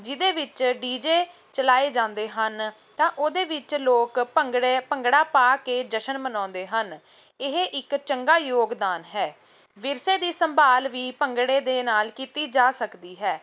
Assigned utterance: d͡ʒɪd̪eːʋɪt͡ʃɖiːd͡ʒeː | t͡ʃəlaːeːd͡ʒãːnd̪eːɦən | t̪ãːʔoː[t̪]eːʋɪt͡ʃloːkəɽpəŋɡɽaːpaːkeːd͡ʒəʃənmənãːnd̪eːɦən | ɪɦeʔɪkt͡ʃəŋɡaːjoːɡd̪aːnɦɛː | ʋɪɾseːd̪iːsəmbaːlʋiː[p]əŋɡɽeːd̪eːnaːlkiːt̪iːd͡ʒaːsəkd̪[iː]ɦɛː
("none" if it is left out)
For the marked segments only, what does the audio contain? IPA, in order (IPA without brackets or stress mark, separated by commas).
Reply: d̪, p, iː